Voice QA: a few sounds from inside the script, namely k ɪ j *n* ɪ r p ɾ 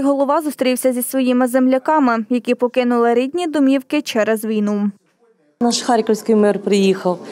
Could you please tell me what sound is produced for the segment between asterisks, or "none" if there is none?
m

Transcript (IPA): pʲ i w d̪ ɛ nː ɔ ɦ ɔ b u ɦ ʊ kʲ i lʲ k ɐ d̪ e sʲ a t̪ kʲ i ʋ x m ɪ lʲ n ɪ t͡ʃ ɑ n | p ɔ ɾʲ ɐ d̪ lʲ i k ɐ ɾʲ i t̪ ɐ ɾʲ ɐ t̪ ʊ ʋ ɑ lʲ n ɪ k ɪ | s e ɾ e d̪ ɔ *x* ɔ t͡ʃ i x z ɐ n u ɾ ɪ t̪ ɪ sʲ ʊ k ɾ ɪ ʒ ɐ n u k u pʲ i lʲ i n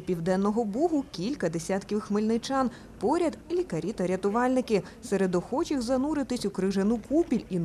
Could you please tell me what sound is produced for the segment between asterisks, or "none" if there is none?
x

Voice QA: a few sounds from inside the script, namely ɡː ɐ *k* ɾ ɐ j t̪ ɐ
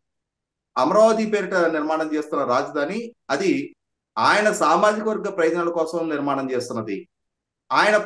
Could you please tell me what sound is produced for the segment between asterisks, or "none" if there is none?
p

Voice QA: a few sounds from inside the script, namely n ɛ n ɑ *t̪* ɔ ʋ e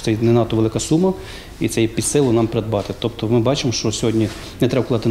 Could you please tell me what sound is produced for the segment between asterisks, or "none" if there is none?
t̪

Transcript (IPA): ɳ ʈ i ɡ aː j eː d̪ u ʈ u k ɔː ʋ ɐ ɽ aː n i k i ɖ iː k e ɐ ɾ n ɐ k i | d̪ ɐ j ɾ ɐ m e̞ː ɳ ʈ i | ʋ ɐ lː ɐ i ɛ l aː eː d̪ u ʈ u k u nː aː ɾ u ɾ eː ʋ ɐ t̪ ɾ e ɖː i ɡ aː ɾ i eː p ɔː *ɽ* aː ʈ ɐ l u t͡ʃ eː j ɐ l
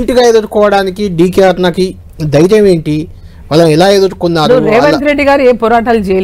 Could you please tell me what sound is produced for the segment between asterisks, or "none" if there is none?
ɾ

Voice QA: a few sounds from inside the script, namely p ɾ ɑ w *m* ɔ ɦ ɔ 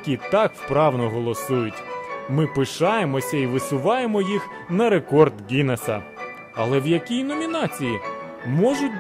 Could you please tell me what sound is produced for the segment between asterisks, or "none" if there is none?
n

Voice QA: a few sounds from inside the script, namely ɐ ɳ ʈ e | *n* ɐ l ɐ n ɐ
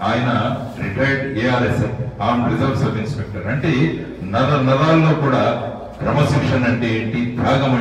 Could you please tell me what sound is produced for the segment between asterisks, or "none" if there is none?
n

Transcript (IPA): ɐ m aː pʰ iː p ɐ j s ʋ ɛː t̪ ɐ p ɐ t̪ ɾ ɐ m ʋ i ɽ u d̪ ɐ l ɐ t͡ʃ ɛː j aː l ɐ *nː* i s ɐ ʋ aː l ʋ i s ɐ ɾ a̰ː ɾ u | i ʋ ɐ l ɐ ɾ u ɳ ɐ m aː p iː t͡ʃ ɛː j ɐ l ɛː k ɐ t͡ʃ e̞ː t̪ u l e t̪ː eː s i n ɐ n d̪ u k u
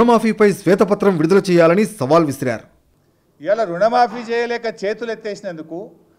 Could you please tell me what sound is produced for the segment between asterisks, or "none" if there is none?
n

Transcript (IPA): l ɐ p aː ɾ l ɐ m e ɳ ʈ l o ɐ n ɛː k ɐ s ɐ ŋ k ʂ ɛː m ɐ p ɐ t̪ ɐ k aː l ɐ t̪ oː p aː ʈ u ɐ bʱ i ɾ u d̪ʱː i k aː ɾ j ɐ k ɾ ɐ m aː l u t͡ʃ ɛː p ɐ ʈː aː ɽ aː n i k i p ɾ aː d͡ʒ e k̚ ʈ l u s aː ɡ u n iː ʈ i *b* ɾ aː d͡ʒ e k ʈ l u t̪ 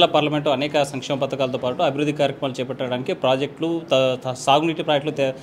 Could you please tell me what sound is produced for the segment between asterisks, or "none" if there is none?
p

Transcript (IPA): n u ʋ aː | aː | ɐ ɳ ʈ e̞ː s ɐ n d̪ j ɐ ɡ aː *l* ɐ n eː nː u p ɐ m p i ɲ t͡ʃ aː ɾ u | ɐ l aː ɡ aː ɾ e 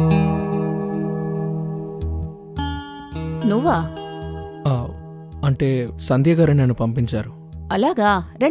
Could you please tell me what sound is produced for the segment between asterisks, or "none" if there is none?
ɾ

